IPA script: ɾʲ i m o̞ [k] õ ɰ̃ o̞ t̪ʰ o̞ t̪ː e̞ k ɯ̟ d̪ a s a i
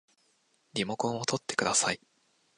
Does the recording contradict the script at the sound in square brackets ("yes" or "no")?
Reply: no